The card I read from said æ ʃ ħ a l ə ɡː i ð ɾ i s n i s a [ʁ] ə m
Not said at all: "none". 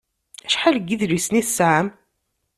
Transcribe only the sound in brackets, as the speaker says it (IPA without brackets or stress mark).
ʕ